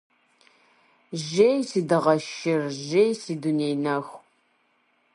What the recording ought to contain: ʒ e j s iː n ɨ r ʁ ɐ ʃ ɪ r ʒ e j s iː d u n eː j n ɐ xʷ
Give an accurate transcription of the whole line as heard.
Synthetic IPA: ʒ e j s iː d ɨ ʁ ɐ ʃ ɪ r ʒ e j s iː d u n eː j n ɐ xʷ